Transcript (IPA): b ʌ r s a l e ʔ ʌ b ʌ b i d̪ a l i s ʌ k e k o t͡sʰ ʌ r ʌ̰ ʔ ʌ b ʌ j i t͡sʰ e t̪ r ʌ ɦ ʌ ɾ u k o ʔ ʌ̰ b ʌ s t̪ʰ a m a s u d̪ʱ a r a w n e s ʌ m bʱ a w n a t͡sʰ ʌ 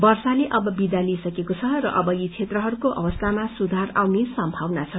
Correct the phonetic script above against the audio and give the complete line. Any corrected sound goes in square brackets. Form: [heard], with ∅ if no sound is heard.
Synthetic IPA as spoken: b ʌ r s a l e ʔ ʌ b ʌ b i d̪ a l i s ʌ k e k o t͡sʰ ʌ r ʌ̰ ʔ ʌ b ʌ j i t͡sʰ e t̪ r ʌ ɦ ʌ ɾ u k o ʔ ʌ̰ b ʌ s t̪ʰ a m a s u d̪ʱ a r a w n e s ʌ m bʱ a w n a t͡sʰ ʌ

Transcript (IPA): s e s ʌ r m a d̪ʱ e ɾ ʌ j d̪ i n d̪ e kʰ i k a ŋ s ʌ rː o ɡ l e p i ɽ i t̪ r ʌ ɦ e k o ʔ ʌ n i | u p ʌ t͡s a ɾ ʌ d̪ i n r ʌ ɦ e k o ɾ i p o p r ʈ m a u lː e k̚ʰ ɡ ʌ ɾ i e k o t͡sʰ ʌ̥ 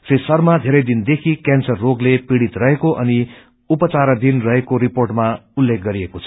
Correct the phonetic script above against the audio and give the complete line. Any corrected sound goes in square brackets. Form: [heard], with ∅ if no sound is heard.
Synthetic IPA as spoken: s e s ʌ r m a d̪ʱ e ɾ ʌ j d̪ i n d̪ e kʰ i k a [n] s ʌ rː o ɡ l e p i ɽ i t̪ r ʌ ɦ e k o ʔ ʌ n i | u p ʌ t͡s a ɾ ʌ d̪ i n r ʌ ɦ e k o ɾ i p o [∅] r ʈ m a u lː e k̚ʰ ɡ ʌ ɾ i e k o t͡sʰ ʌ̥

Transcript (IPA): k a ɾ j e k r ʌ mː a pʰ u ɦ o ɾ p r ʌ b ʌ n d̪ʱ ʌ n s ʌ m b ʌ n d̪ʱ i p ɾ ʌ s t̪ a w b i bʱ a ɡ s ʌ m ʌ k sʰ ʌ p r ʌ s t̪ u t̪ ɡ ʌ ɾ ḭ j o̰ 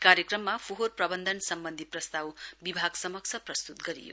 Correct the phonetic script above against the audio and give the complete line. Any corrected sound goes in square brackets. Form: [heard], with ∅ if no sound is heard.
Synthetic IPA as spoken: k a ɾ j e k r ʌ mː a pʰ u ɦ o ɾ p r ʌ b ʌ n d̪ʱ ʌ n s ʌ m b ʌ n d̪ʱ i p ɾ ʌ s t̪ a w b i bʱ a ɡ s ʌ m ʌ k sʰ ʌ p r ʌ s t̪ u t̪ ɡ ʌ ɾ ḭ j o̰

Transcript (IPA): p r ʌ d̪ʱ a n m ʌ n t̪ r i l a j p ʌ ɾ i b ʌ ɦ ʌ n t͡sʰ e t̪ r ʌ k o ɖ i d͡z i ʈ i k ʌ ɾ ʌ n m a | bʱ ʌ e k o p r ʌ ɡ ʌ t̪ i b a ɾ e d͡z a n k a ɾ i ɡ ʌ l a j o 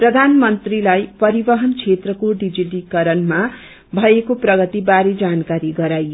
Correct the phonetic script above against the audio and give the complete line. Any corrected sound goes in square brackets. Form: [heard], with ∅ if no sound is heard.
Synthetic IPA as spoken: p r ʌ d̪ʱ a n m ʌ n t̪ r i l a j p ʌ ɾ i b ʌ ɦ ʌ n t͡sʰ e t̪ r ʌ k o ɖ i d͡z i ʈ i k ʌ ɾ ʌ n m a | bʱ ʌ e k o p r ʌ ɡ ʌ t̪ i b a ɾ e d͡z a n k a ɾ i ɡ ʌ [ɾ] a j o

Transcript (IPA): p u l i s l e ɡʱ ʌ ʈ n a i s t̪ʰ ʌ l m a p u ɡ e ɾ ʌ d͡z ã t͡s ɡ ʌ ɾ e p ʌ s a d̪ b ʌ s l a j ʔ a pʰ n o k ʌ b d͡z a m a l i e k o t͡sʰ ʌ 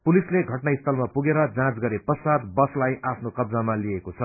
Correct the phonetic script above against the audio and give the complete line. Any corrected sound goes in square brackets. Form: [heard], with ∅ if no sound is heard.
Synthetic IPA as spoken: p u l i s l e ɡʱ ʌ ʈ n a i s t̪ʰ ʌ l m a p u ɡ e ɾ ʌ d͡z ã t͡s ɡ ʌ ɾ e p ʌ s a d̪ b ʌ s l a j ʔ a pʰ n o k ʌ b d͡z a m a l i e k o t͡sʰ ʌ

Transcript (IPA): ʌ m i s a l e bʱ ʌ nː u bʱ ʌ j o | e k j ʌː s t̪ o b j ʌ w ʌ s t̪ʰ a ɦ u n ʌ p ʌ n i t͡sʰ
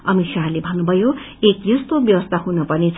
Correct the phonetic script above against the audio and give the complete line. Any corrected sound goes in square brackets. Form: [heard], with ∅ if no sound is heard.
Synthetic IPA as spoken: ʌ m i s a l e bʱ ʌ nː u bʱ ʌ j o | e k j [ʌ] s t̪ o b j ʌ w ʌ s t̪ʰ a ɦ u n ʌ p ʌ n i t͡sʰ

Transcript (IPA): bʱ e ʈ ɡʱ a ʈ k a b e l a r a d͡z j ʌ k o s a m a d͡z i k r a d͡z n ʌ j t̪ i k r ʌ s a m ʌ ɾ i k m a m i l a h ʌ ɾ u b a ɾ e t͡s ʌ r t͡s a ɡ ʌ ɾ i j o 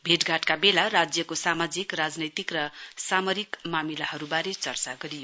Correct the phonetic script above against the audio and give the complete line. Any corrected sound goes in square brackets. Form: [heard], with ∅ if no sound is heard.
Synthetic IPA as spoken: bʱ e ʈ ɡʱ a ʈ k a b e l a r a d͡z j ʌ k o s a m a d͡z i k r a d͡z n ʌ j t̪ i k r ʌ s a m ʌ ɾ i k m a m i l a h ʌ ɾ u b a ɾ e t͡s ʌ r t͡s a ɡ ʌ ɾ i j o

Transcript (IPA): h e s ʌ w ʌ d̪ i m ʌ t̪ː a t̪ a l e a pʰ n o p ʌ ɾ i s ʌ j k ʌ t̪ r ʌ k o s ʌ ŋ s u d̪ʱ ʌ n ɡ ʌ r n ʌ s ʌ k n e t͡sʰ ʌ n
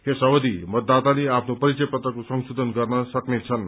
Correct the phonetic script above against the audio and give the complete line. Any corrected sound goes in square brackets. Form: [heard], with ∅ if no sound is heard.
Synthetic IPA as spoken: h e s ʌ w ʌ d̪ i m ʌ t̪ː a t̪ a l e a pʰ n o p ʌ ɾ i [t͡s] ʌ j [p] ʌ t̪ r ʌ k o s ʌ ŋ s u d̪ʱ ʌ n ɡ ʌ r n ʌ s ʌ k n e t͡sʰ ʌ n

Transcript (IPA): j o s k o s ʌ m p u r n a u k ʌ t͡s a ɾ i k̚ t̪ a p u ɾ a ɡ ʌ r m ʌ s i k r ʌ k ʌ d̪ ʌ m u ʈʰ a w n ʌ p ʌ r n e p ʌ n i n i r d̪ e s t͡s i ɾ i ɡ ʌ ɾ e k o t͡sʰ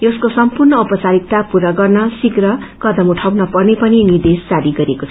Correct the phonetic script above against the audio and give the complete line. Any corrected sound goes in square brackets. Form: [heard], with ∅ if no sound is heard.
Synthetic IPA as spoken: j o s k o s ʌ m p u r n [ʌ] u [p] ʌ t͡s a ɾ i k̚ t̪ a p u ɾ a ɡ ʌ r [n] ʌ s i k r ʌ k ʌ d̪ ʌ m u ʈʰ a w n ʌ p ʌ r n e p ʌ n i n i r d̪ e s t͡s [a] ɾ i ɡ ʌ ɾ e k o t͡sʰ

